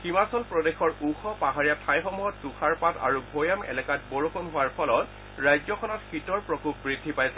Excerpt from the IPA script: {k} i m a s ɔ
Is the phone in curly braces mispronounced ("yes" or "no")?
yes